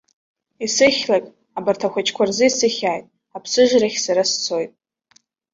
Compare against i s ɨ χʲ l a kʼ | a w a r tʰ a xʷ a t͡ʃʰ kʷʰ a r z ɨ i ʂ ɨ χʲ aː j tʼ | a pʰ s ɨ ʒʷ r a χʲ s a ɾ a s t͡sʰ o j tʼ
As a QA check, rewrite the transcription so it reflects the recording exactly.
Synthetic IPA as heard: i s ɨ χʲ l a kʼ | a b a r tʰ a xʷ a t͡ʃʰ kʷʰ a r z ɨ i s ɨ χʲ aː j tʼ | a pʰ s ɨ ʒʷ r a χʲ s a ɾ a s t͡sʰ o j tʼ